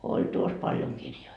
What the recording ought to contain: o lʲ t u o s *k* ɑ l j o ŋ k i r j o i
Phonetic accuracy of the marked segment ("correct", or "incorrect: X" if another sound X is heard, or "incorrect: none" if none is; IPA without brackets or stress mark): incorrect: p